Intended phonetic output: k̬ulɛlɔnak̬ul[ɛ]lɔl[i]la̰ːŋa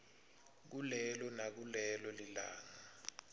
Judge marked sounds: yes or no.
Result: yes, yes

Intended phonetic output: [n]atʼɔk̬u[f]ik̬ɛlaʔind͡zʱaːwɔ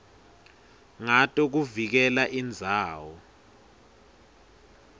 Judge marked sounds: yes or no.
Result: no, no

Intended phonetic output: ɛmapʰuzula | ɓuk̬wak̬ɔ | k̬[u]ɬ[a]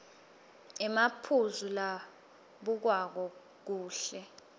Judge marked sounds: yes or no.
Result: no, no

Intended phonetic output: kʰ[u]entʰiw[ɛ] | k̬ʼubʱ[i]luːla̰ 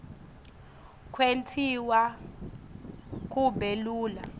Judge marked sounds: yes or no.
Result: no, no, no

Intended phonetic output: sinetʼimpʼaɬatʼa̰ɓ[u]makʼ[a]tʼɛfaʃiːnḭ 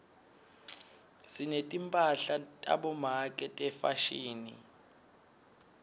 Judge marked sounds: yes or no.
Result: no, no

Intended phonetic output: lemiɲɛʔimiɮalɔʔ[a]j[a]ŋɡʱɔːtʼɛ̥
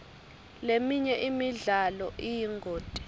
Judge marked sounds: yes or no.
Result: no, no

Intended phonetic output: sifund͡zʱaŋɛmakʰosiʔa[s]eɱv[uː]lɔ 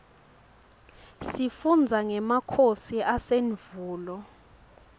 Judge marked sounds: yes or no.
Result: yes, yes

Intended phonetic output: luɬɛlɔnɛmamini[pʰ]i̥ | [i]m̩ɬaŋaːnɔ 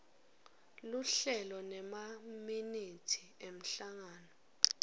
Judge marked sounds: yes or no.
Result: no, no

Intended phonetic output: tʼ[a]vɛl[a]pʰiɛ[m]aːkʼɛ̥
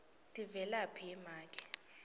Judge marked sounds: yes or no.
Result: no, yes, yes

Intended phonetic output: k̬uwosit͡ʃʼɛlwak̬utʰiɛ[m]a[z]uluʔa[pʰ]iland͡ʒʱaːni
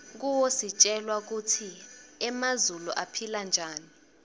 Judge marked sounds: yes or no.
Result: yes, yes, yes

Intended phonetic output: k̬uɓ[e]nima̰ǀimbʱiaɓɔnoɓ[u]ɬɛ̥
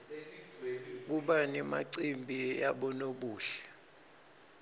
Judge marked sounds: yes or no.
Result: no, no

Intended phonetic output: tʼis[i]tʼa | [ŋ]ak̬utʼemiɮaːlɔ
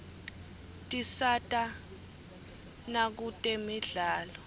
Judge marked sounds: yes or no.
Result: no, no

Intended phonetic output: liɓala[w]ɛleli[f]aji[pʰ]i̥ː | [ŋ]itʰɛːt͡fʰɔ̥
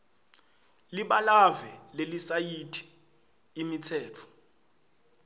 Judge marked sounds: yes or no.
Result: no, no, no, no

